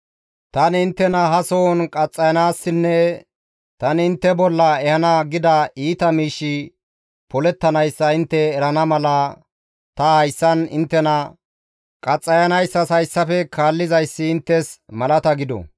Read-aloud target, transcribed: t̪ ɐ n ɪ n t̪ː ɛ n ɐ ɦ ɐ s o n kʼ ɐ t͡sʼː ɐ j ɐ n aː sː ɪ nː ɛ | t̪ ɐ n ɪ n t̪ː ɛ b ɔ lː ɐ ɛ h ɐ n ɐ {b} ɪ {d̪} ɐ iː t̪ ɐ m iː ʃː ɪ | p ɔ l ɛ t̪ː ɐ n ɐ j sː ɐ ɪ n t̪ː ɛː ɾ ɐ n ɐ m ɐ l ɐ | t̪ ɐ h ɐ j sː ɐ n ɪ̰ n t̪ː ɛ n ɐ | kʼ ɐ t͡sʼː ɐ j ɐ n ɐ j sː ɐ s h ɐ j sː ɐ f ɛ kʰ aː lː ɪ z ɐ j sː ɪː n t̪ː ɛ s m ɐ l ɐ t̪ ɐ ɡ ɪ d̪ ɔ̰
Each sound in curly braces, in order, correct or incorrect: incorrect: ɡ, correct

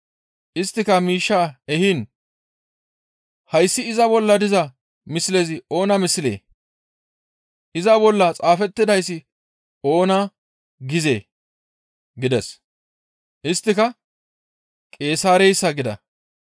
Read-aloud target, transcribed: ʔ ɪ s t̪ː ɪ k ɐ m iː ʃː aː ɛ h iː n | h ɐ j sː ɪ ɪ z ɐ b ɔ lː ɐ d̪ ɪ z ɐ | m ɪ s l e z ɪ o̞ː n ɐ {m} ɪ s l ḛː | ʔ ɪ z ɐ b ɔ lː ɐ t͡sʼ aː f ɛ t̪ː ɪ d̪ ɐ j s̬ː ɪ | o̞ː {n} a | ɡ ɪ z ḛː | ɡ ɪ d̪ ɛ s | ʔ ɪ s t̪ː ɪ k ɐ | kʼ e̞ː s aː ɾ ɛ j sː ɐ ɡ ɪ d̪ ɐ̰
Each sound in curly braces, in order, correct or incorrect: correct, correct

